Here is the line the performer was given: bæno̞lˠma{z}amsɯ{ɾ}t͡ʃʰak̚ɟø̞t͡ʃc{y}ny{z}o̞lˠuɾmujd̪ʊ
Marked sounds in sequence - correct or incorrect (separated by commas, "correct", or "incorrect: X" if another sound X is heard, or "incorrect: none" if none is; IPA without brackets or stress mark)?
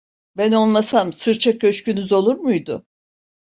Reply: incorrect: s, correct, correct, correct